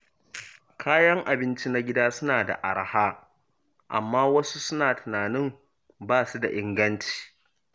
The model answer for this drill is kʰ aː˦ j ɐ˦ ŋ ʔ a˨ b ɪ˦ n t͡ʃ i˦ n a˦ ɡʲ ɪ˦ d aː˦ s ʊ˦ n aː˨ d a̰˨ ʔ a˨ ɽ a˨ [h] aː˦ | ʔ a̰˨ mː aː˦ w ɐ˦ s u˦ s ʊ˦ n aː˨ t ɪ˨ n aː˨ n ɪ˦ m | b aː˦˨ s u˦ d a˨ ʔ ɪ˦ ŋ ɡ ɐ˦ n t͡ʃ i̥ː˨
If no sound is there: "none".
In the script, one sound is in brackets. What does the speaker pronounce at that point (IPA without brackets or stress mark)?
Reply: h